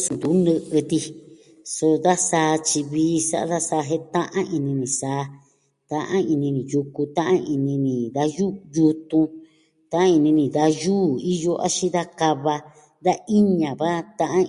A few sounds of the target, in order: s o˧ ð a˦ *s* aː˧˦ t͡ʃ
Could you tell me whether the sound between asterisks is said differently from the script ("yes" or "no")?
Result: no